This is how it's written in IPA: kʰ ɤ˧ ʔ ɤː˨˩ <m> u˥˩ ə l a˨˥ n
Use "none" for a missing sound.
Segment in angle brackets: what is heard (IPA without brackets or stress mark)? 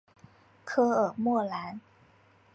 m